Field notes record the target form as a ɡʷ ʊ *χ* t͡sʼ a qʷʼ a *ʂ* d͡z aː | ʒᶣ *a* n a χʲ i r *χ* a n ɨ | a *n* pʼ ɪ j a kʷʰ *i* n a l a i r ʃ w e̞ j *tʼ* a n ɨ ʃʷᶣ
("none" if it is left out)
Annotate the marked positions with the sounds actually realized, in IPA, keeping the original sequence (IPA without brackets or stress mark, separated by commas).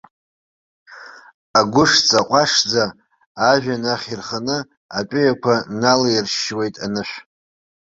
ʂ, ʂ, a, χ, none, a, tʼ